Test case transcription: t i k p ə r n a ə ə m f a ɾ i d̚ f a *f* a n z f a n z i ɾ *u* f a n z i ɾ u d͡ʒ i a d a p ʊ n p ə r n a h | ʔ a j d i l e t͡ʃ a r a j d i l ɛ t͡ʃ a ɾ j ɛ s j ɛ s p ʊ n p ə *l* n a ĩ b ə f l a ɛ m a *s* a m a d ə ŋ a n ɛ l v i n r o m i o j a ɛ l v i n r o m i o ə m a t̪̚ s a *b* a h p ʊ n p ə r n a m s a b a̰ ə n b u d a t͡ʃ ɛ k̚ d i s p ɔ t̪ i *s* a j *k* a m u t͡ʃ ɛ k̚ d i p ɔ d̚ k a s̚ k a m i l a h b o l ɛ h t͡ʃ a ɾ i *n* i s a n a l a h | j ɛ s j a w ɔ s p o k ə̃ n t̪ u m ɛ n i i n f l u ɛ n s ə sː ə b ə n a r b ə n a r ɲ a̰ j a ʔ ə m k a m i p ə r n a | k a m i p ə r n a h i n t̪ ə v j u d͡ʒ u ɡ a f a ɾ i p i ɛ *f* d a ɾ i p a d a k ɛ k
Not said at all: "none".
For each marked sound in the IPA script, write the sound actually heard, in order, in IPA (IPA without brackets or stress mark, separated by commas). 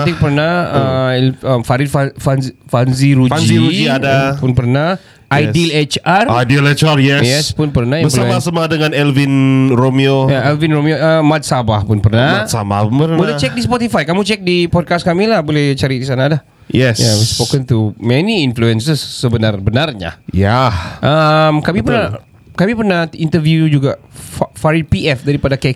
f, u, r, s, b, f, k, d, f